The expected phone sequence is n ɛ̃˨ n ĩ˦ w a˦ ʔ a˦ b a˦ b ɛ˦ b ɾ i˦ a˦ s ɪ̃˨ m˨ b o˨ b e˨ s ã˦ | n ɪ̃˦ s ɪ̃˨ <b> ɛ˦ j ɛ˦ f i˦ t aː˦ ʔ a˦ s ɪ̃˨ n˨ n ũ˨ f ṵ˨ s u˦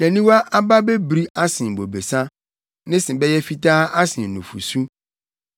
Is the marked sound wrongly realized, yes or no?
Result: no